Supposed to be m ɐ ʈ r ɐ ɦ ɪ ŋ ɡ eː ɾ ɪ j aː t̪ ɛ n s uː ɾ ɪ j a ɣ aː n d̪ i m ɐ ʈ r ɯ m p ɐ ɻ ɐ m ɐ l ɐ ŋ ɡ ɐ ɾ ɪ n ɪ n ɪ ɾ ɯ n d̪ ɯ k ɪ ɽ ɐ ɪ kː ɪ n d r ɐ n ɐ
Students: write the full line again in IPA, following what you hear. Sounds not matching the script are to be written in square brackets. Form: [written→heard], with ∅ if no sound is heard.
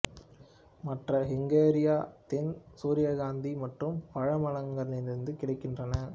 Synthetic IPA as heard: m ɐ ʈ r ɐ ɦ ɪ ŋ ɡ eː ɾ ɪ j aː t̪ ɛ n s uː ɾ ɪ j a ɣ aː n d̪ i m ɐ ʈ r ɯ m p ɐ ɻ ɐ m ɐ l ɐ ŋ ɡ ɐ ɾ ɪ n ɪ n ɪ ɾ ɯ n d̪ ɯ k ɪ ɽ ɐ ɪ kː ɪ n d r ɐ n ɐ